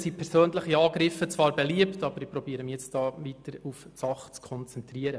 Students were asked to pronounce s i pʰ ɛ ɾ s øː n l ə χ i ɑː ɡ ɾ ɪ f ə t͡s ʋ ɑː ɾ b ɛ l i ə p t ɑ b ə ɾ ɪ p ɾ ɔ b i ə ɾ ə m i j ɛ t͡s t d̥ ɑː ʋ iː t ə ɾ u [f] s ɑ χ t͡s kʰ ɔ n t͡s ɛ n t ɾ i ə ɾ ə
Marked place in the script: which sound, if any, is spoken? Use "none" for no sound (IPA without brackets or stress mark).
f